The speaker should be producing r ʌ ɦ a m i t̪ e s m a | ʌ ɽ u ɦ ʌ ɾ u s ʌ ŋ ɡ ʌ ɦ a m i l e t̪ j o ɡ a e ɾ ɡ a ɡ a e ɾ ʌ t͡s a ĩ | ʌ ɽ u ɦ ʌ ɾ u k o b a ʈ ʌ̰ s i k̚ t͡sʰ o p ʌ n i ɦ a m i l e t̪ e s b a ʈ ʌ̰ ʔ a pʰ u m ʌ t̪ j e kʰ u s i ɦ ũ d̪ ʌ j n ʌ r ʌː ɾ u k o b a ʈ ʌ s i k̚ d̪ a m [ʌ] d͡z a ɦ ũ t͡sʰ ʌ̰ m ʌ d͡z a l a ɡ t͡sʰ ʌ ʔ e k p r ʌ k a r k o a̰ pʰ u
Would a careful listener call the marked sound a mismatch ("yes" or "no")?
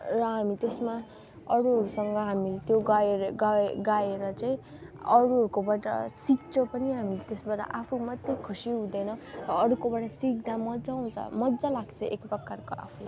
no